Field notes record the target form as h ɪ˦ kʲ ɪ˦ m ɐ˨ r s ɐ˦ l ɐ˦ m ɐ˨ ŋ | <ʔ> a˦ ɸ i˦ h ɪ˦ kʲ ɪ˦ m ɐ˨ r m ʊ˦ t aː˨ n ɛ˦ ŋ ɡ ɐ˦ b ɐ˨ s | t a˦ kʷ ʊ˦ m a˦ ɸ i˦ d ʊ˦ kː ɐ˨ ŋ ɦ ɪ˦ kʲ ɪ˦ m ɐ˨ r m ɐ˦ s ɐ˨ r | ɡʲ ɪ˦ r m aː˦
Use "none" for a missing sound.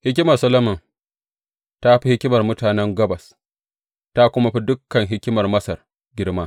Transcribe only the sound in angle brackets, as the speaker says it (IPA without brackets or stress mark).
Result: t